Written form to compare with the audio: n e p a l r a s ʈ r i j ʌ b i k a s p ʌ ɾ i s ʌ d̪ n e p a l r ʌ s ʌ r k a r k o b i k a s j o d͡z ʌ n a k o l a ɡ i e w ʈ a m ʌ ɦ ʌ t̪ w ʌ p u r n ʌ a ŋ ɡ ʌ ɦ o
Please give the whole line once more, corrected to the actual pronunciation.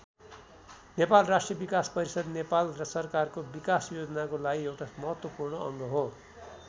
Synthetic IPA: n e p a l r a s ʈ r i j ʌ b i k a s p ʌ ɾ i s ʌ d̪ n e p a l r ʌ s ʌ r k a r k o b i k a s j o d͡z ʌ n a k o l a ɡ i e w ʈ a m ʌ ɦ ʌ t̪ w ʌ p u r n ʌ ʌ ŋ ɡ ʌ ɦ o